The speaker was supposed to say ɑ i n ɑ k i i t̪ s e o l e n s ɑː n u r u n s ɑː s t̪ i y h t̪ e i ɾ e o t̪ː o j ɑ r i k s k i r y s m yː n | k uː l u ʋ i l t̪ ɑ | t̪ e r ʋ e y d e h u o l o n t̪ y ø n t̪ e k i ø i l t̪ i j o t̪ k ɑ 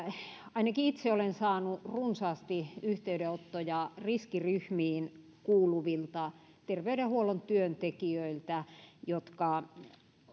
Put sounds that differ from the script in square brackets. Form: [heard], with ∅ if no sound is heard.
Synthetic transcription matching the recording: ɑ i n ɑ k i i t̪ s e o l e n s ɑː n u r u n s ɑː s t̪ i y h t̪ e [y] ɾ e o t̪ː o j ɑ r i [∅] s k i r y [h] m [iː] n | k uː l u ʋ i l t̪ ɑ | t̪ e r ʋ e y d e h u o l o n t̪ y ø n t̪ e k i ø i l t̪ [æ] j o t̪ k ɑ